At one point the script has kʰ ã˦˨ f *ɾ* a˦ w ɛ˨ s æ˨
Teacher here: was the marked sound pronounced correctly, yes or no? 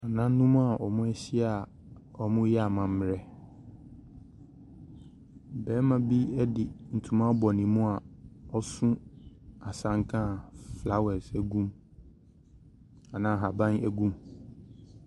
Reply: no